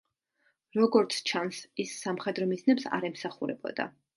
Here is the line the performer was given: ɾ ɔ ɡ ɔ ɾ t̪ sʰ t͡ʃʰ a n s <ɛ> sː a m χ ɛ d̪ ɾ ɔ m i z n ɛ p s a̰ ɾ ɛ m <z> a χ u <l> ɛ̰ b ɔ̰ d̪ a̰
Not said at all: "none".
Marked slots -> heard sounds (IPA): i, s, ɾ

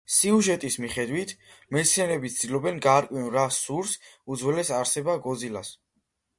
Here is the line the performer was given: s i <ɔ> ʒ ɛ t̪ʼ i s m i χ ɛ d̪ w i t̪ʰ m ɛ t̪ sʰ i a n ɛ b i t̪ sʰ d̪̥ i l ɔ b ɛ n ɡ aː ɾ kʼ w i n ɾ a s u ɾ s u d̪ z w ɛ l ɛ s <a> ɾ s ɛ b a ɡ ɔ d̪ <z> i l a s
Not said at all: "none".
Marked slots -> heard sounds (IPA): u, a, z

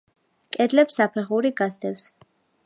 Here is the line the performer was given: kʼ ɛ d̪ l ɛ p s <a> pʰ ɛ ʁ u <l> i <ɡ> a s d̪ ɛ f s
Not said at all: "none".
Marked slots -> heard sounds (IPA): a, ɾ, ɡ

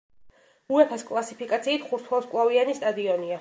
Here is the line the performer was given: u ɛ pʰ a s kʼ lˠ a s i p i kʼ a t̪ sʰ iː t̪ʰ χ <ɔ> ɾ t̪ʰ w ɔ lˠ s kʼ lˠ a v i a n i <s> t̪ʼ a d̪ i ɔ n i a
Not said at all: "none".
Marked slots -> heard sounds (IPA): u, s

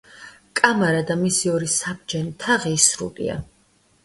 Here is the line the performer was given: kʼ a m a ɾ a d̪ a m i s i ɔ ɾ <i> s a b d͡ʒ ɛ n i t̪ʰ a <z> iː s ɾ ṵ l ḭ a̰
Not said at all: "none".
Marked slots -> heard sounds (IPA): i, ʁ

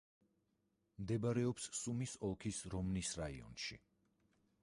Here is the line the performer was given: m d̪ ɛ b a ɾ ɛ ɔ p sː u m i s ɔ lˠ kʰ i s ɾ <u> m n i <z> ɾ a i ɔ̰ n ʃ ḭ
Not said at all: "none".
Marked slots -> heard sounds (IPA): ɔ, s

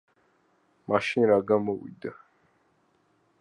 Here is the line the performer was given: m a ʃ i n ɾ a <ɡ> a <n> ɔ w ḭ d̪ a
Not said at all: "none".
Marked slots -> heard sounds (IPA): ɡ, m

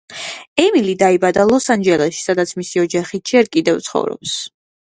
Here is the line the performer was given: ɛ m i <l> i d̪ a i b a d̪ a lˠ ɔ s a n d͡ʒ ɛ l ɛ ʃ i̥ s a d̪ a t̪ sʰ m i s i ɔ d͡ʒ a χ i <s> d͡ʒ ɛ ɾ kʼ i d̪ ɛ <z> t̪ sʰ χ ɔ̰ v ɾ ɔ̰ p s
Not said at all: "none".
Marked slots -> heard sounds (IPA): l, none, v

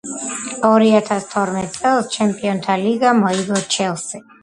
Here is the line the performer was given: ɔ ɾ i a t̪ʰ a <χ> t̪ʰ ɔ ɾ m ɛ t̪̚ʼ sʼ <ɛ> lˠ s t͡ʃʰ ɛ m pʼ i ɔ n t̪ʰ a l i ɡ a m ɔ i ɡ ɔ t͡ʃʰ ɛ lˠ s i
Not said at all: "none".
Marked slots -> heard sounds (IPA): s, ɛ

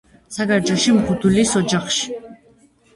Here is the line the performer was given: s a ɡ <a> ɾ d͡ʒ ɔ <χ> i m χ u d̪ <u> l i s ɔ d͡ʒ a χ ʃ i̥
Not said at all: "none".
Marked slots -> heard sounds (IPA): a, ʃ, u

